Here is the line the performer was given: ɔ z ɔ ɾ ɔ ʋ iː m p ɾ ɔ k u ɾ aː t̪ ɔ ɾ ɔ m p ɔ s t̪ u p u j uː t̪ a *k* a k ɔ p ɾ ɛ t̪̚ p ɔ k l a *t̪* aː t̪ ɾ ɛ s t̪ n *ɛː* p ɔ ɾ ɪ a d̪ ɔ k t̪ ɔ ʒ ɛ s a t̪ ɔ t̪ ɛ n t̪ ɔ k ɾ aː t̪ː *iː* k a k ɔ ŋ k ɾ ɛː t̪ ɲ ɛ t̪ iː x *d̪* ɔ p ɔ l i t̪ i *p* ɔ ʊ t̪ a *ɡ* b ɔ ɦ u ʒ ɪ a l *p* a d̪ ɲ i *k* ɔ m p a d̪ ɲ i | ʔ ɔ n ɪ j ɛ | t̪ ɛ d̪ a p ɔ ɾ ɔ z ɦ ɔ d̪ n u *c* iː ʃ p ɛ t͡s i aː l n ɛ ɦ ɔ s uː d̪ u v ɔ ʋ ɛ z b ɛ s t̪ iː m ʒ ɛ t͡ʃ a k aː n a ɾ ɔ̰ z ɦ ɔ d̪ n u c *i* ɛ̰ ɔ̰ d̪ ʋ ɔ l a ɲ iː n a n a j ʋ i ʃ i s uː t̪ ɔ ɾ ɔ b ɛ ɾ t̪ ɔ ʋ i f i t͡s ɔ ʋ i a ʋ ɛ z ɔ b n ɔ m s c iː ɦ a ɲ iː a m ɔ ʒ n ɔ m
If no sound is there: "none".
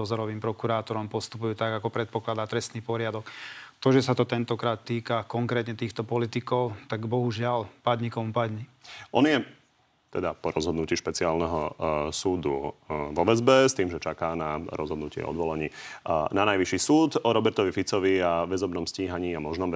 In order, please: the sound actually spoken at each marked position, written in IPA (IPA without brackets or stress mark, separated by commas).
ɡ, d̪, iː, iː, t̪, k, ɡ, p, k, c, ɪ